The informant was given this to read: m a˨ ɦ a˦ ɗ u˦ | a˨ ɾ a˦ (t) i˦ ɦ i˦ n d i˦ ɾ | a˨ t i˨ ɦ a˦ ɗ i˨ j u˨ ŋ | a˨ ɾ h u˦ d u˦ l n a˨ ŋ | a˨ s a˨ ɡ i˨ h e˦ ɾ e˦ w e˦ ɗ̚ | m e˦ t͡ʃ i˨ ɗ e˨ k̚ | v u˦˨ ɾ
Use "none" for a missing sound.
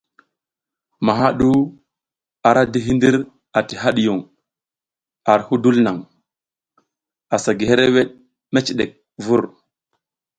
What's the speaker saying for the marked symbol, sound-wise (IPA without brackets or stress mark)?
d